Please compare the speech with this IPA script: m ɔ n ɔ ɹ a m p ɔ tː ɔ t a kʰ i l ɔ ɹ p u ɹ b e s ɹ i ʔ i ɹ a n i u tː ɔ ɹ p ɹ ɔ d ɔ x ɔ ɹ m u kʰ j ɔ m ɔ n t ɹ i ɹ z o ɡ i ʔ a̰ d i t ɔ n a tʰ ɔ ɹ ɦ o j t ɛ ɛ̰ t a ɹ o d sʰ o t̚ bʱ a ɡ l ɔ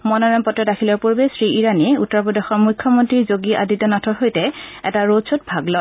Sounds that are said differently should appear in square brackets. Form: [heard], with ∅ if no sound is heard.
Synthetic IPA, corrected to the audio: m ɔ n ɔ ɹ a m p ɔ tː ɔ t a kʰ i l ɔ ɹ p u ɹ b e s ɹ i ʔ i ɹ a n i u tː ɔ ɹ p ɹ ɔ d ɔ x ɔ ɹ m u kʰ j ɔ m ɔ n t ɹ i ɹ z o ɡ i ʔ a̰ d i t ɔ n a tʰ ɔ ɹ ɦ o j t ɛ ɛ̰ t a ɹ o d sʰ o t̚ bʱ a ɡ l ɔ

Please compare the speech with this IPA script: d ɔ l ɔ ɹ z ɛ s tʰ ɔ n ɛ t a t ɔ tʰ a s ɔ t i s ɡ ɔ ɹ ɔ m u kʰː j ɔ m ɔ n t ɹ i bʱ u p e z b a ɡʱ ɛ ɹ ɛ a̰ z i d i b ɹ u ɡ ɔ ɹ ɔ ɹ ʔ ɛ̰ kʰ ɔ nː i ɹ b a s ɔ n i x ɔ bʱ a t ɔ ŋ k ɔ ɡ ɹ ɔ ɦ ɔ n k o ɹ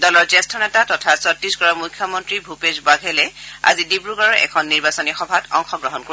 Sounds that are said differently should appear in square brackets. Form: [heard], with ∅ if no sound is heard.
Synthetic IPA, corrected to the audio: d ɔ l ɔ ɹ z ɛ s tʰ ɔ n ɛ t a t ɔ tʰ a s ɔ t i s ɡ ɔ ɹ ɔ m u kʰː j ɔ m ɔ n t ɹ i bʱ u p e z b a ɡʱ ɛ [l] ɛ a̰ z i d i b ɹ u ɡ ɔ ɹ ɔ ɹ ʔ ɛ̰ kʰ ɔ nː i ɹ b a s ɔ n i x ɔ bʱ a t ɔ ŋ [x] ɔ ɡ ɹ ɔ ɦ ɔ n k o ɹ

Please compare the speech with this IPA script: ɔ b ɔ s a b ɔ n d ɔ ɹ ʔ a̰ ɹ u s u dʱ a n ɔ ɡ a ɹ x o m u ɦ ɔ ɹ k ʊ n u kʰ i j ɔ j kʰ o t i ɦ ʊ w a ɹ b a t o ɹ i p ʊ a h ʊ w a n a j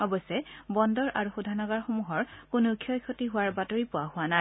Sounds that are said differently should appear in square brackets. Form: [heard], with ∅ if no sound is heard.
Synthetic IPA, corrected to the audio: ɔ b ɔ s [ɛ] b ɔ n d ɔ ɹ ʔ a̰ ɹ u [x] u dʱ a n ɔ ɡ a ɹ x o m u ɦ ɔ ɹ k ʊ n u kʰ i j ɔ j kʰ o t i ɦ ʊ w a ɹ b a t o ɹ i p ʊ a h ʊ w a n a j

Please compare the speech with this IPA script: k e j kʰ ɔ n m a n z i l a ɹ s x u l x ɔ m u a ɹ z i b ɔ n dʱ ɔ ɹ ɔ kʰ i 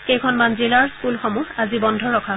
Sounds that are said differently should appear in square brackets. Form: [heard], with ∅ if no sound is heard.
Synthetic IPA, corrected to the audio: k e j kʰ ɔ n m a n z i l a ɹ s [k] u l x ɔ m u a [∅] z i b ɔ n dʱ ɔ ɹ ɔ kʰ [a]

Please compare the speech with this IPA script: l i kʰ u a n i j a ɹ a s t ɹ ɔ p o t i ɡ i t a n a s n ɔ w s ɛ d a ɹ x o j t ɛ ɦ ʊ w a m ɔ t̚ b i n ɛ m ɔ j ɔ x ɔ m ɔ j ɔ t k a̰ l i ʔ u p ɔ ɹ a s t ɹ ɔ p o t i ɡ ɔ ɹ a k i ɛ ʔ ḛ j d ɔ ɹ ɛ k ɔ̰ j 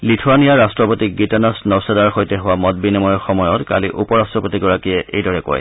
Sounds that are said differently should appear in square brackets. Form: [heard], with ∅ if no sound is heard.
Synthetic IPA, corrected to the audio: l i [tʰ] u a n i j a ɹ a s t ɹ ɔ p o t i ɡ i t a n a s n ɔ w s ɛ d a ɹ x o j t ɛ ɦ ʊ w a m ɔ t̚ b i n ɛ m ɔ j ɔ x ɔ m ɔ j ɔ t k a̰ l i ʔ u p ɔ ɹ a s t ɹ ɔ p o t i ɡ ɔ ɹ a k i ɛ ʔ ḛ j d ɔ ɹ ɛ k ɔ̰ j

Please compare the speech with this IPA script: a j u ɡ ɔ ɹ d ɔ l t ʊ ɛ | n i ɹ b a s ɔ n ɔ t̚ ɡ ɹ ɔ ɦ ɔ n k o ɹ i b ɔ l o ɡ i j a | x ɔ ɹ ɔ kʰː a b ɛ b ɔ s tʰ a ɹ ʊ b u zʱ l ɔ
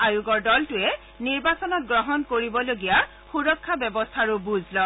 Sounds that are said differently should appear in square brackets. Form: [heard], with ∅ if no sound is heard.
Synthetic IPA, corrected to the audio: a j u ɡ ɔ ɹ d ɔ l t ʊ ɛ | n i ɹ b a s ɔ n ɔ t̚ ɡ ɹ ɔ ɦ ɔ n k o ɹ i b ɔ l o ɡ i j a | x [u] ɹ ɔ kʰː a b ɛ b ɔ s tʰ a ɹ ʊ b u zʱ l ɔ

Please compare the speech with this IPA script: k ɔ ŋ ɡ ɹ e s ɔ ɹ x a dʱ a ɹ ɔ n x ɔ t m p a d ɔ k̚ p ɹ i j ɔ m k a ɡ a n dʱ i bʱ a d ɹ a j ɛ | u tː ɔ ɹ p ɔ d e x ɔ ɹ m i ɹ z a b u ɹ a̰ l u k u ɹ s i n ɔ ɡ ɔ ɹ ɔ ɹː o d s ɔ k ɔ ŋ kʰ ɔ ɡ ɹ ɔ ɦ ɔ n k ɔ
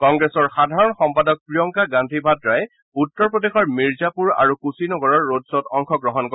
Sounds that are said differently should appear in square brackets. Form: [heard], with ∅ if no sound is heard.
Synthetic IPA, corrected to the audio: k ɔ ŋ ɡ ɹ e s ɔ ɹ x a dʱ a ɹ ɔ n x ɔ [∅] m p a d ɔ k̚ p ɹ i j ɔ [ŋ] k a ɡ a n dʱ i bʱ a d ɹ a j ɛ | u tː ɔ ɹ p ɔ d e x ɔ ɹ m i ɹ z a [p] u ɹ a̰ [ɹ] u k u [∅] s i n ɔ ɡ ɔ ɹ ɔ ɹː o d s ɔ [t] ɔ ŋ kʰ ɔ ɡ ɹ ɔ ɦ ɔ n k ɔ

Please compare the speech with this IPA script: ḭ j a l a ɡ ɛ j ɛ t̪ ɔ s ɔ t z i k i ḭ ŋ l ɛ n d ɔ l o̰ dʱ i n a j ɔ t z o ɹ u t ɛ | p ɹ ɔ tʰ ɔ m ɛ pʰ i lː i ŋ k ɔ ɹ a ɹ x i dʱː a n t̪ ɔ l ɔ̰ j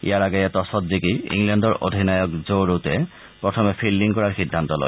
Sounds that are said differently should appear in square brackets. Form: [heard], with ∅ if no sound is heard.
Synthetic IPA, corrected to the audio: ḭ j a [ɹ] a ɡ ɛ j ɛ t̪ ɔ s ɔ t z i k i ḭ ŋ l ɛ n d ɔ [ɹ] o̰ dʱ i n a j ɔ [k] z o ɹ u t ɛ | p ɹ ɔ tʰ ɔ m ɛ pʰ i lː i ŋ k ɔ ɹ a ɹ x i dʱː a n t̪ ɔ l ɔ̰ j

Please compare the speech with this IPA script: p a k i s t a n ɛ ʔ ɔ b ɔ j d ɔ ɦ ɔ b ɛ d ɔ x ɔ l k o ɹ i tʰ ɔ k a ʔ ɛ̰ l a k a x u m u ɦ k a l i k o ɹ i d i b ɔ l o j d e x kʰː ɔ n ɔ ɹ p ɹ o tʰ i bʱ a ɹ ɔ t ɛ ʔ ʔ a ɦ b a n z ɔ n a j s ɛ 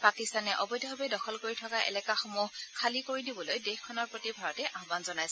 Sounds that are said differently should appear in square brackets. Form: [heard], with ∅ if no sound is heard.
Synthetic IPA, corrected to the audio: p a k i s t a n ɛ ʔ ɔ b ɔ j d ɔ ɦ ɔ b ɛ d ɔ x ɔ l k o ɹ i tʰ ɔ k a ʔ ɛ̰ l [ɛ] k a x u m u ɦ [kʰ] a l i k o ɹ i d i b ɔ l o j d e x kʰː ɔ n ɔ ɹ p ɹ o [t] i bʱ a ɹ ɔ t ɛ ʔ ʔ a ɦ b a n z ɔ n a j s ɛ

